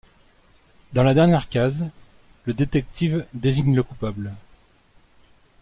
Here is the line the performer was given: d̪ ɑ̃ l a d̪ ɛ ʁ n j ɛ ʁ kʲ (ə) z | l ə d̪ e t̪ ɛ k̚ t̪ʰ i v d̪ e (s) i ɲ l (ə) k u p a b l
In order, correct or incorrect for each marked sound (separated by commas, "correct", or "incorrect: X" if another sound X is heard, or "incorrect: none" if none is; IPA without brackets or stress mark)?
incorrect: a, incorrect: z, correct